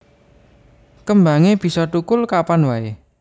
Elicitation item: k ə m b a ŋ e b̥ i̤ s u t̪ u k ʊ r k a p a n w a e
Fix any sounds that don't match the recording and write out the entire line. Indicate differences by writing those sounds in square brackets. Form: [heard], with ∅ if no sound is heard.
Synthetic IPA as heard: k ə m b a ŋ e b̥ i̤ s [ɔ] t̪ u k ʊ [l] k a p a n w a e